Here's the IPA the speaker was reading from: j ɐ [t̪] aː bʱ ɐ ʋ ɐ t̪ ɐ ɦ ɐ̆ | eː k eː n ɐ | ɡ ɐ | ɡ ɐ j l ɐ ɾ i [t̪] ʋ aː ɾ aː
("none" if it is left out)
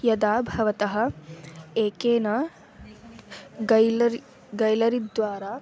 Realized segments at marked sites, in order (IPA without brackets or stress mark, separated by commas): d̪, d̪